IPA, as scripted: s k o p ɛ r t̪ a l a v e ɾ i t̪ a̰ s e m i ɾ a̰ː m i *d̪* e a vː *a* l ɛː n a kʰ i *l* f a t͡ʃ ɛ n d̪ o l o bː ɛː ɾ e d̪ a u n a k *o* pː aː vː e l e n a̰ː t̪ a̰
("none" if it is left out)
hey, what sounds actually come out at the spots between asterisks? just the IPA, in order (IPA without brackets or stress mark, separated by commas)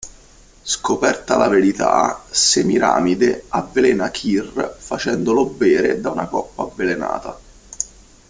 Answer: d̪, e, r, ɔ